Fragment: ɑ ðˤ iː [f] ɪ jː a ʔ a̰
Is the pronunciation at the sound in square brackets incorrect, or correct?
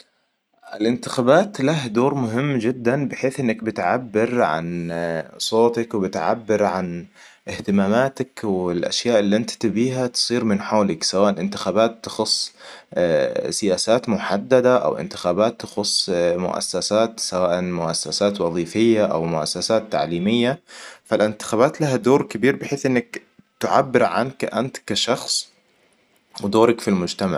correct